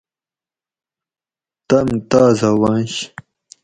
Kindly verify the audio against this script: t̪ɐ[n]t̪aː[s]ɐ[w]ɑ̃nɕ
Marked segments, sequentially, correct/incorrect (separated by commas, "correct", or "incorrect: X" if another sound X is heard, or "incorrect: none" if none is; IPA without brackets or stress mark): incorrect: m, incorrect: z, correct